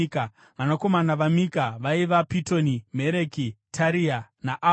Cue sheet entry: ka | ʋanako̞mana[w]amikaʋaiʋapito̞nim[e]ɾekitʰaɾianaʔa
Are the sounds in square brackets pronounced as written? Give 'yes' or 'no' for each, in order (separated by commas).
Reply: no, yes